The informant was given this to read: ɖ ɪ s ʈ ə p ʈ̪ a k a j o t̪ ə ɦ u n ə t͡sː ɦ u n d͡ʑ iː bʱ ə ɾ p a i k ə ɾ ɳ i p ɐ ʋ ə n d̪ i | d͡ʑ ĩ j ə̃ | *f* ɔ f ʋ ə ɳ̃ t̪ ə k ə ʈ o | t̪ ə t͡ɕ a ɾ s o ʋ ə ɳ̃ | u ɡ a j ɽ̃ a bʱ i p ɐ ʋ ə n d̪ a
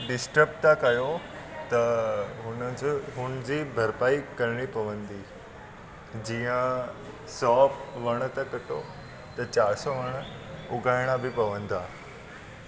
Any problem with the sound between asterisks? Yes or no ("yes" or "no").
yes